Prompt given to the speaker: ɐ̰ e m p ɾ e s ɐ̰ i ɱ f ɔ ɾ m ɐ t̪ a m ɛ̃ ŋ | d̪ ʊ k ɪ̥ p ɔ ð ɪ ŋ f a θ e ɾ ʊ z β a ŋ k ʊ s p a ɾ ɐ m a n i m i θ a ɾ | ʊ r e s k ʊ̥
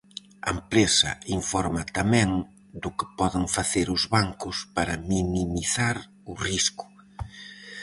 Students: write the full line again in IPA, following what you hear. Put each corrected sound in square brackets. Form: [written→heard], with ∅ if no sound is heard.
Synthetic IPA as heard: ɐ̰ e m p ɾ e s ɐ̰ i ɱ f ɔ ɾ m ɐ t̪ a m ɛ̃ ŋ | d̪ ʊ k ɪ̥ p ɔ ð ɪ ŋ f a θ e ɾ ʊ z β a ŋ k ʊ s p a ɾ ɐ m [a→i] n i m i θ a ɾ | ʊ r [e→i] s k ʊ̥